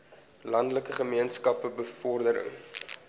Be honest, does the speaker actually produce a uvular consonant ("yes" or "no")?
yes